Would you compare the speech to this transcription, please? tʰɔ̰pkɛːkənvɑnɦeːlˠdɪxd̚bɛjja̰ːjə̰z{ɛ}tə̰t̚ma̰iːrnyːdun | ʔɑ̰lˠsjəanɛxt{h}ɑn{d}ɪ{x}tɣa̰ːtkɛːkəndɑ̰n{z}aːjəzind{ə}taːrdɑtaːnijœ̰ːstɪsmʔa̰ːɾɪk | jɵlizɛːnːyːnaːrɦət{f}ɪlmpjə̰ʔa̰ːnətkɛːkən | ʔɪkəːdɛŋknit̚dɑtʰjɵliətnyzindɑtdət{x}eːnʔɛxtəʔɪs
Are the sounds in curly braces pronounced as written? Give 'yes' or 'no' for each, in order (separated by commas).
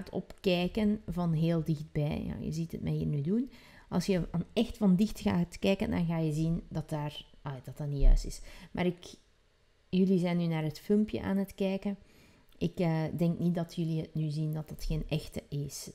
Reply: no, no, yes, yes, no, no, yes, yes